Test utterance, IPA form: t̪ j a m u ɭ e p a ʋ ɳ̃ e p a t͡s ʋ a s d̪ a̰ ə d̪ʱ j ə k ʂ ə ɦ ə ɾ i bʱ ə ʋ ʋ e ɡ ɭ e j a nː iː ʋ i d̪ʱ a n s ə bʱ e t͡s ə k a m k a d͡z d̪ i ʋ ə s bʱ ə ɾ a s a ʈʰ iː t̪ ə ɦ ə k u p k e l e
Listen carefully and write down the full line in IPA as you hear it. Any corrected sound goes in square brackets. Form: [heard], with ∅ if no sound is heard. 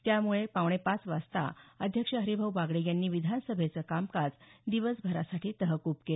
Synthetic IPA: t̪ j a m u ɭ e p a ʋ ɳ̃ e p a t͡s ʋ a s [t̪] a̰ ə d̪ʱ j ə k ʂ ə ɦ ə ɾ i bʱ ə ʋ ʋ [a] ɡ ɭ e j a nː iː ʋ i d̪ʱ a n s ə bʱ e t͡s ə k a m k a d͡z d̪ i ʋ ə s bʱ ə ɾ a s a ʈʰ iː t̪ ə ɦ ə k u p k e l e